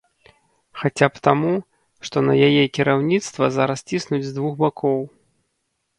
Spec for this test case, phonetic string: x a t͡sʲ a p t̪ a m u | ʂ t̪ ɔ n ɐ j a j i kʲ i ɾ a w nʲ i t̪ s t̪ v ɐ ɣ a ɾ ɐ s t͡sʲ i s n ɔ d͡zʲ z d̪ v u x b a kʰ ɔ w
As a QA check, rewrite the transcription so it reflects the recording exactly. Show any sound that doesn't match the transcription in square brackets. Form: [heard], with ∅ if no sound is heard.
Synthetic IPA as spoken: x a t͡sʲ a p t̪ a m u | ʂ t̪ ɔ n ɐ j a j [ɛ] kʲ i ɾ a w nʲ i t̪ s t̪ v ɐ [z] a ɾ ɐ s t͡sʲ i s n [u] d͡zʲ z d̪ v u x b a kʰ ɔ w